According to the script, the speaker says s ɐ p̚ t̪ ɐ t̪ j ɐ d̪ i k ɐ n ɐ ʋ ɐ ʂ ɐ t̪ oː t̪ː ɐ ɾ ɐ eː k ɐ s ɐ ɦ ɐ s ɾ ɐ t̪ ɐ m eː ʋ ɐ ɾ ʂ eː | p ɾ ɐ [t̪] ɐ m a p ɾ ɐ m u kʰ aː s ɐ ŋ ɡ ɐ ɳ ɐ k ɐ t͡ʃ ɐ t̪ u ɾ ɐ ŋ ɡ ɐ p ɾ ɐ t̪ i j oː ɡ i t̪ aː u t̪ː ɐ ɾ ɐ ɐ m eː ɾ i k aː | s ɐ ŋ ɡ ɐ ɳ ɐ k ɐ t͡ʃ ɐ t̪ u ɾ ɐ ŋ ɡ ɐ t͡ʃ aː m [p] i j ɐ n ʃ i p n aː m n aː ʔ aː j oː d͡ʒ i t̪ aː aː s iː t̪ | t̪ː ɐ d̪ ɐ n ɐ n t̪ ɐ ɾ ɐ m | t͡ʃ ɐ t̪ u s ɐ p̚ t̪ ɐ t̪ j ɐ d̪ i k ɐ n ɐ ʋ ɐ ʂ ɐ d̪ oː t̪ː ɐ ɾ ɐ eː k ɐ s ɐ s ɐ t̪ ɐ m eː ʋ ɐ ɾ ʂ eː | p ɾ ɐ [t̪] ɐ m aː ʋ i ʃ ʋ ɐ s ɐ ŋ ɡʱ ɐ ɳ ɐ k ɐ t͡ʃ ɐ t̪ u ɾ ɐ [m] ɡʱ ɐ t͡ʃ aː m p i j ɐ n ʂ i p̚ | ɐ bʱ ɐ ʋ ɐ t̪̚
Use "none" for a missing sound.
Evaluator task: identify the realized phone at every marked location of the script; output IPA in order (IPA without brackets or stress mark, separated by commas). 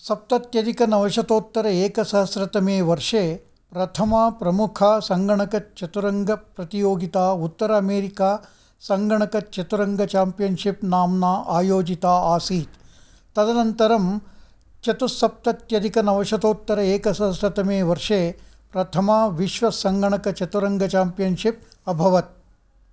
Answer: t̪ʰ, p, t̪ʰ, ŋ